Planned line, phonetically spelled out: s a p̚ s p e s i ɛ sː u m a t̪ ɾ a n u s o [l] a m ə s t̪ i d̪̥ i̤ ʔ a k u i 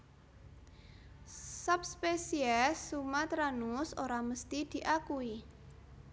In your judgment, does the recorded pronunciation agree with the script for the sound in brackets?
no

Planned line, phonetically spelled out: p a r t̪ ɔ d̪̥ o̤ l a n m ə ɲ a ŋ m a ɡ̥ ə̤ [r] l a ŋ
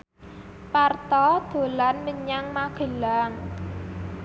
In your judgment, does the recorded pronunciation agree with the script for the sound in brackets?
no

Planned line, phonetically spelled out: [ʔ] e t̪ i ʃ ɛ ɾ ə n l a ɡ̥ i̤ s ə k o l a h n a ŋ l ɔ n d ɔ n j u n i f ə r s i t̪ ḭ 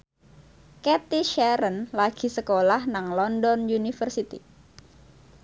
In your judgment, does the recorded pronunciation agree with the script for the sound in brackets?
no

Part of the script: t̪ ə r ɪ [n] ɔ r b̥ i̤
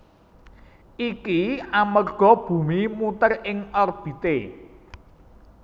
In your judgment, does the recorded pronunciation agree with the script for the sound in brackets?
no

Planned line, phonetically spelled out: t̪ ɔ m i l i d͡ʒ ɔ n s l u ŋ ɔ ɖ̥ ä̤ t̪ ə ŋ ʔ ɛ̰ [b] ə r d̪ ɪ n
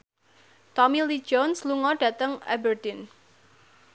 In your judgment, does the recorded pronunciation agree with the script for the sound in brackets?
yes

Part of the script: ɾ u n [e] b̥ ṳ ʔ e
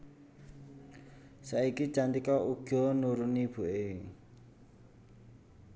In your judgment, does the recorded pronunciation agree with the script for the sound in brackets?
no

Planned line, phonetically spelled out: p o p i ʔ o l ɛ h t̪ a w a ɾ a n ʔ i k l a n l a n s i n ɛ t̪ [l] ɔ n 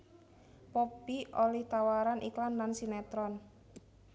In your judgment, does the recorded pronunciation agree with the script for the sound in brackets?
no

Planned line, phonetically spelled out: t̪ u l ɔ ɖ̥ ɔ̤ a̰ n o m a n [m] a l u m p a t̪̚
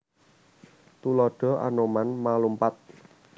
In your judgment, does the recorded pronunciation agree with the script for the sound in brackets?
yes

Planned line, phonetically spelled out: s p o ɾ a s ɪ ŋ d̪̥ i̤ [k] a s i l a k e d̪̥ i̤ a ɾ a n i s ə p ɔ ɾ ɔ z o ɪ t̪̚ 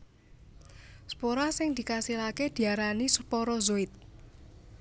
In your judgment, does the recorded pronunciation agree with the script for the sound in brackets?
yes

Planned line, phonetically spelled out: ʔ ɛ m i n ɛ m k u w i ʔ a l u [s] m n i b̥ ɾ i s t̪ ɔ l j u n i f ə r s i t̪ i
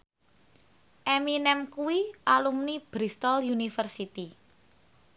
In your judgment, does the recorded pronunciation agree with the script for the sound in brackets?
no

